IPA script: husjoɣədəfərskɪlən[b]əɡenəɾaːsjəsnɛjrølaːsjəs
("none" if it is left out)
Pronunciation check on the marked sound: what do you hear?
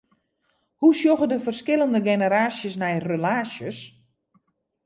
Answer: d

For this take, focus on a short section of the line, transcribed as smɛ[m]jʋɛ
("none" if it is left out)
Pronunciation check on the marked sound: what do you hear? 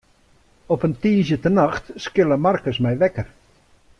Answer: none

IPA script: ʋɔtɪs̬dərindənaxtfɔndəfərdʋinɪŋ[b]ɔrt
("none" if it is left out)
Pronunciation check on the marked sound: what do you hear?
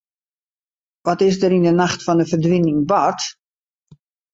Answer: b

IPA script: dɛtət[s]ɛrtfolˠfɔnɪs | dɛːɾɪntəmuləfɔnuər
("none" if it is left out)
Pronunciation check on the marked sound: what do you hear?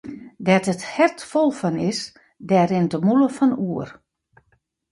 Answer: h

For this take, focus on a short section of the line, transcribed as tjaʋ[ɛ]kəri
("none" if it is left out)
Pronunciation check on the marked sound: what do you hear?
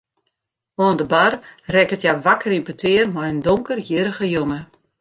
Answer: a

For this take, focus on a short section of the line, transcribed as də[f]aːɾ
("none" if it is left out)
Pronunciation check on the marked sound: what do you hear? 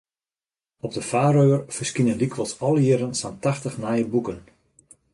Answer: f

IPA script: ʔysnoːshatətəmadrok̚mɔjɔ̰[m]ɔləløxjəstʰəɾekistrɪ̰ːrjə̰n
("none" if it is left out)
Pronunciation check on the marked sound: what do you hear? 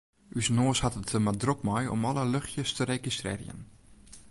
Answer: m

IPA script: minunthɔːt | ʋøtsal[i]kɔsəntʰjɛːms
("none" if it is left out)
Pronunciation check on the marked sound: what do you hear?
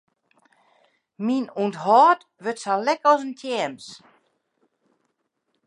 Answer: ɛ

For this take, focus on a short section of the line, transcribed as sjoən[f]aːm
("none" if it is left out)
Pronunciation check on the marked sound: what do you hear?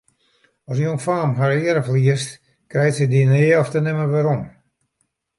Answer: f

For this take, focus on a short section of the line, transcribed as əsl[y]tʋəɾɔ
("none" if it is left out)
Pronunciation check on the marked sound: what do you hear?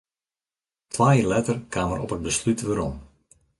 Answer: y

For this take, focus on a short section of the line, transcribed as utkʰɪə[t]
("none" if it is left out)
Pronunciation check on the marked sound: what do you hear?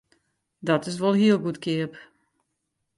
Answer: p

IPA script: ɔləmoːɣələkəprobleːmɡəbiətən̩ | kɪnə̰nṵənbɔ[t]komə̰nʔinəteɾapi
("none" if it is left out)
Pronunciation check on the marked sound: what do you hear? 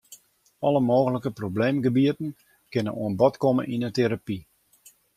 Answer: t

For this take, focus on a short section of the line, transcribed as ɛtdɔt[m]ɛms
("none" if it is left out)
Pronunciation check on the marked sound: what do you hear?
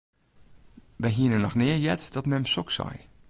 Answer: m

